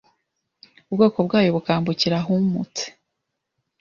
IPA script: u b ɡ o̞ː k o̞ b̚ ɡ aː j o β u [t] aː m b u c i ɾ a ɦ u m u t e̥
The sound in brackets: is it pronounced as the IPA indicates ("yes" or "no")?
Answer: no